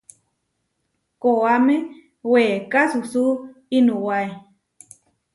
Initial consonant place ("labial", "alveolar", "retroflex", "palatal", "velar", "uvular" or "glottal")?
velar